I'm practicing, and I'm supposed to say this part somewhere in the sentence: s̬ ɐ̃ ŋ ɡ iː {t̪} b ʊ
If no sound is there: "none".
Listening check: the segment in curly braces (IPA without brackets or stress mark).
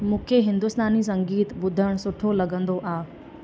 t̪